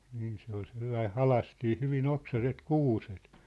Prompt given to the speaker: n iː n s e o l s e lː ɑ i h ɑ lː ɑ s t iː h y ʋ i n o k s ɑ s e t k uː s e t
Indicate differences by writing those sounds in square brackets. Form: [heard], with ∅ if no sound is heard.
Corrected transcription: n iː n s e o l s e lː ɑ i h ɑ [l] ɑ s t iː h y ʋ i n o k s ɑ s e t k uː s e t

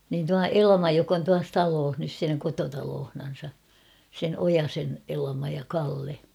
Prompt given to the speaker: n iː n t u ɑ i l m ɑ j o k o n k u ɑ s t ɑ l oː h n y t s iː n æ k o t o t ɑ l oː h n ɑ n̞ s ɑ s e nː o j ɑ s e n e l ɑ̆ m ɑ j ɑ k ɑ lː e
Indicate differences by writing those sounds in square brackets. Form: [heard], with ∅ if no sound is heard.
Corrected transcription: n iː n t u ɑ [e] l m ɑ j o k o n [t] u ɑ s t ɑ l oː h n y [s] s iː n æ k o t o t ɑ l oː h n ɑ n̞ s ɑ s e [n] o j ɑ s e n e l ɑ̆ m ɑ j ɑ k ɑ lː e

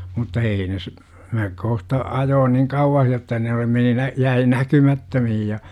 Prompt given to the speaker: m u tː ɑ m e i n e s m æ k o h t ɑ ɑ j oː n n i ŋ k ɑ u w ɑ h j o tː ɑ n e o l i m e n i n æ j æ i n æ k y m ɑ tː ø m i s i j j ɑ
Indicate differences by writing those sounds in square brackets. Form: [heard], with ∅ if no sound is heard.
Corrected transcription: m u tː ɑ [∅] e i n e s m æ k o h t ɑ ɑ j oː n n i ŋ k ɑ u w ɑ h j o tː ɑ n e o l i m e n i n æ j æ i n æ k y m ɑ tː ø m i [h] i j j ɑ

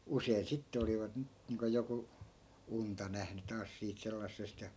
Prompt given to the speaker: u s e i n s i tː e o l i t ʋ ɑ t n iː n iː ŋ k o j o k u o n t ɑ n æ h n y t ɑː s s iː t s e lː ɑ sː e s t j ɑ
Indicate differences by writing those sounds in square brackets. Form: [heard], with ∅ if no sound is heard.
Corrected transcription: u s e i n s i tː e o l i [∅] ʋ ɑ t n [i] n iː ŋ k o j o k u [u] n t ɑ n æ h n y t ɑː s s iː t s e lː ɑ sː e s t j ɑ

